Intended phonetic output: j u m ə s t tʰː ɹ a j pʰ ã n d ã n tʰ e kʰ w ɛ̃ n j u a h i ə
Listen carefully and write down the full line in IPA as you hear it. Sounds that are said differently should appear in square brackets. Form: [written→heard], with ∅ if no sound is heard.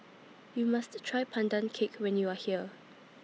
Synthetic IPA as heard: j u m [ə→a] s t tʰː ɹ a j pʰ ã n d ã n [tʰ→kʰ] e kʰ w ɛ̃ n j u a h i ə